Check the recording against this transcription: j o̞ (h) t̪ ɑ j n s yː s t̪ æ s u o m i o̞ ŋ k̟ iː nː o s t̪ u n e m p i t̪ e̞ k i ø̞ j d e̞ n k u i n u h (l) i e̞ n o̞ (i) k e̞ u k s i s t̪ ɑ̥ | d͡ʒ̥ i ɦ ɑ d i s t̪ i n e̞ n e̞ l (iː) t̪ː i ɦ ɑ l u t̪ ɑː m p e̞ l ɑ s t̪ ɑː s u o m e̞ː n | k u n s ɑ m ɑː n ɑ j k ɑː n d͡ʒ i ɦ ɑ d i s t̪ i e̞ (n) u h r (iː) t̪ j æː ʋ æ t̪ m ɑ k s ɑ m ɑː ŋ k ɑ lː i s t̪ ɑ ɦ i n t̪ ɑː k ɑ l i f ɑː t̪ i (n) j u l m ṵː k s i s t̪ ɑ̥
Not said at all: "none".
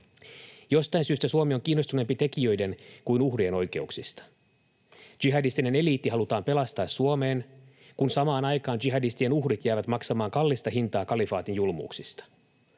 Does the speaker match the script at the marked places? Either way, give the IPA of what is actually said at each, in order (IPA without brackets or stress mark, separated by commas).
s, r, j, iː, n, i, n